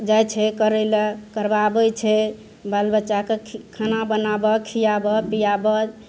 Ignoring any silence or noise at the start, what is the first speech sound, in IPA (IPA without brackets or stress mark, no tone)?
d͡ʒ